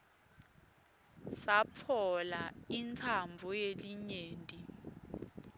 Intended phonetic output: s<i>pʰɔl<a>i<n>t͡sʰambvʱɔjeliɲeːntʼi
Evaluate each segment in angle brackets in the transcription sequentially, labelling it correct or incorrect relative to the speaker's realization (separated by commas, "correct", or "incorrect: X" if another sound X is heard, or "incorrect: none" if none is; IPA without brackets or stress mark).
incorrect: a, correct, correct